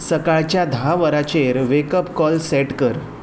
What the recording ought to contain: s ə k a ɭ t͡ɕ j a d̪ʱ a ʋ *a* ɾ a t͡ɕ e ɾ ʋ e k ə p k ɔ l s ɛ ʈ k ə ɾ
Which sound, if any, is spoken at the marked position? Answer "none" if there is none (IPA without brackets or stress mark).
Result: ə